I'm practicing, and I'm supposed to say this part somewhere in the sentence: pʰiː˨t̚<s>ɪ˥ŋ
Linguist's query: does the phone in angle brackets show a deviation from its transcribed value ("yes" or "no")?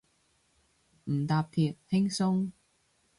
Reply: yes